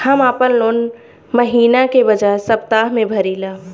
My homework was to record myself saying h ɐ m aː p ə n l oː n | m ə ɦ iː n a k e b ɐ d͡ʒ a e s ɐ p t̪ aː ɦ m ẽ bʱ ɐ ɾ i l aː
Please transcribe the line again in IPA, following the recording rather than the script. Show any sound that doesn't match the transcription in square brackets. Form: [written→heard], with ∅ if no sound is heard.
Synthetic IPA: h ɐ m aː p ə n l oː n | m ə ɦ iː n a k e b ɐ d͡ʒ a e s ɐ p t̪ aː ɦ m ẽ bʱ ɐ ɾ i l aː

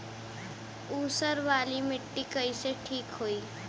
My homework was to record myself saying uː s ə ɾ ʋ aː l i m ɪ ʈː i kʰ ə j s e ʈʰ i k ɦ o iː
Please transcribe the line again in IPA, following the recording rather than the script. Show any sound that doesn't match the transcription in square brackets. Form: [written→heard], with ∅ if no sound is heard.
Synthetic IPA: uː s ə ɾ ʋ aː l i m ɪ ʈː i [kʰ→k] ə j s e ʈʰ [i→iː] k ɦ o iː

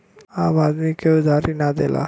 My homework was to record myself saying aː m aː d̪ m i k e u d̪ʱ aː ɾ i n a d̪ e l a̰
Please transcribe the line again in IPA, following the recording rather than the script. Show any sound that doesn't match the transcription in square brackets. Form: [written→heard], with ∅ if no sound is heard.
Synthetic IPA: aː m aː d̪ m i k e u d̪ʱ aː ɾ i n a d̪ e l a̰

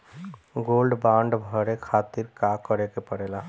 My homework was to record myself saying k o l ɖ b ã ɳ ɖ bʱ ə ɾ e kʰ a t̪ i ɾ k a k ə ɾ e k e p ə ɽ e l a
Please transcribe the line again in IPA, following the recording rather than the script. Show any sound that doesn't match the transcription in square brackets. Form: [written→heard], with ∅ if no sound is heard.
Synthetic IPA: [k→ɡ] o l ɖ b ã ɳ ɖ bʱ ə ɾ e kʰ a t̪ i ɾ k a k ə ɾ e k e p ə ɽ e l a

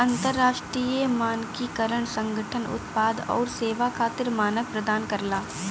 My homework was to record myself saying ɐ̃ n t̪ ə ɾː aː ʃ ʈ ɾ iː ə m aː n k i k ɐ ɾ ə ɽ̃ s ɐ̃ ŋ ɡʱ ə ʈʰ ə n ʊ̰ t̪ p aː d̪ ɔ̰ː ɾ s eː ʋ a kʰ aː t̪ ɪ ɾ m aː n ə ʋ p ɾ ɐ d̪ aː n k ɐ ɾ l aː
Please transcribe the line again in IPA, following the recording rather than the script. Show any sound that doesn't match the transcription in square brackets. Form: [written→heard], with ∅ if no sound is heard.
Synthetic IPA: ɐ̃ n t̪ ə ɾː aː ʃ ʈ ɾ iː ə m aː n k i k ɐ ɾ ə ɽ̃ s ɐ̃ ŋ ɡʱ ə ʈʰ ə n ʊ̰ t̪ p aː d̪ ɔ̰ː ɾ s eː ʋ a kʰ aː t̪ ɪ ɾ m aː n ə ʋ p ɾ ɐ d̪ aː n k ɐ ɾ l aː

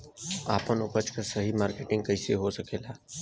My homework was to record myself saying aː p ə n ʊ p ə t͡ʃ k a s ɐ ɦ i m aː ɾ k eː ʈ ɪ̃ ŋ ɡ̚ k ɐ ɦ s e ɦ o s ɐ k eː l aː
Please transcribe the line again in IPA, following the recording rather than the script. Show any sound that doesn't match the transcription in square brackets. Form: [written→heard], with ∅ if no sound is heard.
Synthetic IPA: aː p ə n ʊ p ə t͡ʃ k a s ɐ ɦ i m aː ɾ k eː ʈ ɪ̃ ŋ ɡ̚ k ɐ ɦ s e ɦ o s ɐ k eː l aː

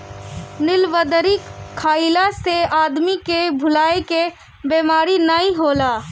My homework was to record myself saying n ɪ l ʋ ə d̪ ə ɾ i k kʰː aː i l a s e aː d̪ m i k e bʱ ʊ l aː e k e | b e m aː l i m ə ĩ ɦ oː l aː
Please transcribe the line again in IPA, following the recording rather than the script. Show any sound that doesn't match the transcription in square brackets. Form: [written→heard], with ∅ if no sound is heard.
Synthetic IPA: n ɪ l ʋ ə d̪ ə ɾ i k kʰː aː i l a s e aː d̪ m i k e bʱ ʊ l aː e k e | b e m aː [l→ɾ] i [m→n] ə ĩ ɦ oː l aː

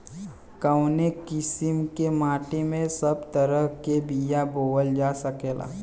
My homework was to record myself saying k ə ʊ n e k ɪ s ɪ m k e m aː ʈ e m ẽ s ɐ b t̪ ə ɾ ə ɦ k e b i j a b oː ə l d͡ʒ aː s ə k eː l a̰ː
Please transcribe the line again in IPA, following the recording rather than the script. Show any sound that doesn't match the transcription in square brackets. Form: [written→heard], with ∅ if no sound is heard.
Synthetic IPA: k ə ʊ n e k ɪ s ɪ m k e m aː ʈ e m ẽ s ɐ b t̪ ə ɾ ə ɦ k e b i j a b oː ə l d͡ʒ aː s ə k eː l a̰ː

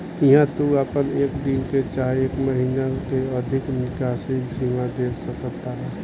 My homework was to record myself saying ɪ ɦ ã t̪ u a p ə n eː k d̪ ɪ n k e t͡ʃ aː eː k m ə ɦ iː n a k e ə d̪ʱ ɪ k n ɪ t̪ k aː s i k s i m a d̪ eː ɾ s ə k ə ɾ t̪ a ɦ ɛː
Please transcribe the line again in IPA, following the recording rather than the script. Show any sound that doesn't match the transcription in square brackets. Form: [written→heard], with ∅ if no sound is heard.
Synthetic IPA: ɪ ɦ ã t̪ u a p ə n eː k d̪ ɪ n k e t͡ʃ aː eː k m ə ɦ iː n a k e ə d̪ʱ ɪ k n ɪ [t̪→∅] k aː s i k s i m a d̪ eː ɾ s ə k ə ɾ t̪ a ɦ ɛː

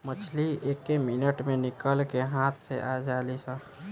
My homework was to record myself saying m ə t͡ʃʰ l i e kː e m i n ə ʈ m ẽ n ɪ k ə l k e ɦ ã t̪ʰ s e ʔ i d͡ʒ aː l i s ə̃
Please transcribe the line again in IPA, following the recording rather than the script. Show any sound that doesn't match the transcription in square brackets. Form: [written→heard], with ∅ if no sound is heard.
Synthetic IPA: m ə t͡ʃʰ l i e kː e m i n ə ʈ m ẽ n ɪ k ə l k e ɦ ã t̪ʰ s e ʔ [i→a] d͡ʒ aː l i s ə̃

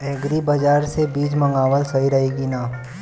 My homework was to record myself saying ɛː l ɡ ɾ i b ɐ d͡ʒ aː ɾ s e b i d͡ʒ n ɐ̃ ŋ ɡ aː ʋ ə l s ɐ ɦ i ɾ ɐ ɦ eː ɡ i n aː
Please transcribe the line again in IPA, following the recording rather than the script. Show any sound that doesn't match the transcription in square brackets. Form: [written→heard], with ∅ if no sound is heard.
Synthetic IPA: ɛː [l→∅] ɡ ɾ i b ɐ d͡ʒ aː ɾ s e b [i→iː] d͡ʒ [n→m] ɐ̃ ŋ ɡ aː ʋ ə l s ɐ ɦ i ɾ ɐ ɦ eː ɡ i n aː

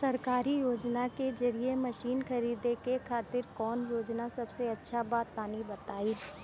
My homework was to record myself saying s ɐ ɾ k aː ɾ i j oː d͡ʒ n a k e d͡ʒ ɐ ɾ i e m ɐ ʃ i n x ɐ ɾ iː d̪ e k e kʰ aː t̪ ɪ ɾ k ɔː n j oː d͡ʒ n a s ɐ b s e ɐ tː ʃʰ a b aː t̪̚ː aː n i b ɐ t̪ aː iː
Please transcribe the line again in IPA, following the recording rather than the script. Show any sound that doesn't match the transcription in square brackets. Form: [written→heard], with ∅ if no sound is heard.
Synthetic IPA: s ɐ ɾ k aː ɾ i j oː d͡ʒ n a k e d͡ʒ ɐ ɾ i e m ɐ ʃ [i→iː] n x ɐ ɾ iː d̪ e k e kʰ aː t̪ ɪ ɾ k ɔː n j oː d͡ʒ n a s ɐ b s e ɐ tː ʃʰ a b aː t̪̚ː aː n i b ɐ t̪ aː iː

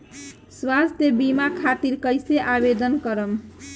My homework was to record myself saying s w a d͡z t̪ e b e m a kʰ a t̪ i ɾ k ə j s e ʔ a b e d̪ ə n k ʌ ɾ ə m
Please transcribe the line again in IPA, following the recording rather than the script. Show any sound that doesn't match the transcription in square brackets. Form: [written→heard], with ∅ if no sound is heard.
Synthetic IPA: s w a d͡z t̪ e b [e→i] m a kʰ a t̪ i ɾ k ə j s e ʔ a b e d̪ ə n k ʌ ɾ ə m

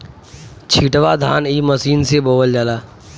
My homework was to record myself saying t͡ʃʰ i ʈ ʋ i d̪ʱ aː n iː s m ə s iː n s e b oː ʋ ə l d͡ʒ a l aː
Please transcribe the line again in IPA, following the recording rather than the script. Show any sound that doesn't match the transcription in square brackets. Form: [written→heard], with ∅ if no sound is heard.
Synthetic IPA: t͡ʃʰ i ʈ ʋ [i→a] d̪ʱ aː n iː [s→∅] m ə s iː n s e b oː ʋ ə l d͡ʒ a l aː

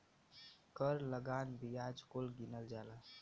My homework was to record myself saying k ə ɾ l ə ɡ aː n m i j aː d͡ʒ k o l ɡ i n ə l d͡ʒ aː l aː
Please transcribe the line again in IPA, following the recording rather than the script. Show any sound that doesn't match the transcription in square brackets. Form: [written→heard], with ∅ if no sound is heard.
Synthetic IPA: k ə ɾ l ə ɡ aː n [m→b] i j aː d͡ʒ k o l ɡ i n ə l d͡ʒ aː l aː

